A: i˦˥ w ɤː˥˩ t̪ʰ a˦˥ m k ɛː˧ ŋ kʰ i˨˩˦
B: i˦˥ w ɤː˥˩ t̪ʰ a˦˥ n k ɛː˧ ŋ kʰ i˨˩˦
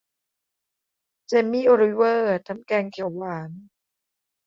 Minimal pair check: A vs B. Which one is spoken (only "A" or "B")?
A